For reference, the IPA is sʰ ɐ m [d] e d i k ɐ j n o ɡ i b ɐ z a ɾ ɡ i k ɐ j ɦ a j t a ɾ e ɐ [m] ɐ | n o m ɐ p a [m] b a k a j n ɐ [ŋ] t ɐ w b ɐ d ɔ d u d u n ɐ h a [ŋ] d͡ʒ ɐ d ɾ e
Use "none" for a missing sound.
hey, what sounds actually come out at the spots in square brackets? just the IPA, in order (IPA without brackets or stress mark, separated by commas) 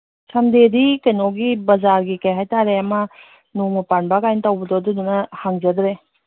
d, m, n, none, ŋ